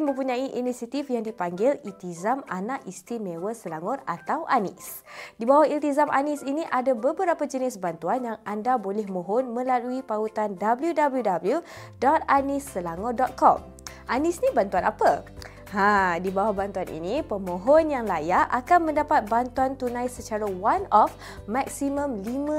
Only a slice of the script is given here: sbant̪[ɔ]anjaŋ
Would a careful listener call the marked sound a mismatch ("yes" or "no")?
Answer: yes